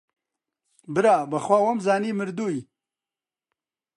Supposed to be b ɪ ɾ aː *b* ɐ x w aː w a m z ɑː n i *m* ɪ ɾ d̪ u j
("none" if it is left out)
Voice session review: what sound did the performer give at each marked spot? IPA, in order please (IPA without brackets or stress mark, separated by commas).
b, m